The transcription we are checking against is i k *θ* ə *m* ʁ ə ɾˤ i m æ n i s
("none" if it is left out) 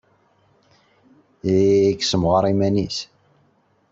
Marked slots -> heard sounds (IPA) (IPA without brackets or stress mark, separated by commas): s, m